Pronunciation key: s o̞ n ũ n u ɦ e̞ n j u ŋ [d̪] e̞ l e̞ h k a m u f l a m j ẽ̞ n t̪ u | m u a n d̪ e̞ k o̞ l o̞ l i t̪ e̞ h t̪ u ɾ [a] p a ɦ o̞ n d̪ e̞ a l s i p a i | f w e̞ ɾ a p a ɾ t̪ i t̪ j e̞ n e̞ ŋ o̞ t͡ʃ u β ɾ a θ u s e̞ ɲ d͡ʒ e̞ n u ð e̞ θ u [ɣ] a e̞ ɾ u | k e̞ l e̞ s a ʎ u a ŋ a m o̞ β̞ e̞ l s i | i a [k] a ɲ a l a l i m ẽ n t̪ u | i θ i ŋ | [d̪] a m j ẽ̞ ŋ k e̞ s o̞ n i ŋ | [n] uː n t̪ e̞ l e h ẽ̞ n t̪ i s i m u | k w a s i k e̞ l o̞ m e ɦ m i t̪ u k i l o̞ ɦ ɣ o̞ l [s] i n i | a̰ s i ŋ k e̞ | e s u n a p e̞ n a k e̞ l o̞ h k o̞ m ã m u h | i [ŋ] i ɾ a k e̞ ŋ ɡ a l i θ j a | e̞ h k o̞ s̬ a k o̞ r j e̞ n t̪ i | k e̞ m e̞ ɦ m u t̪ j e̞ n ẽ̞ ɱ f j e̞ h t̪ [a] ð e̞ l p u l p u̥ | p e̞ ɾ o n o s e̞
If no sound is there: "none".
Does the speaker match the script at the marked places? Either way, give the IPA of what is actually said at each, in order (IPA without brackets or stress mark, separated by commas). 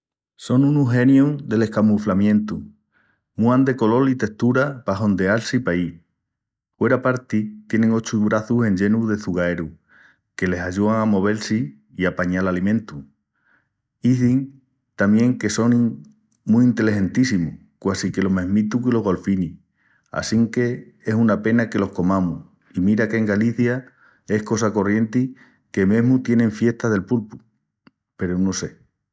d̪, a, ɣ, p, t̪, m, f, m, a